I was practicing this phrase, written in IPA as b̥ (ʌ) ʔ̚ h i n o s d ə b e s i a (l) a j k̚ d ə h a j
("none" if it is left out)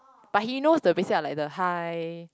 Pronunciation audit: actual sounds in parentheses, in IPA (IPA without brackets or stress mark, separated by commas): a, l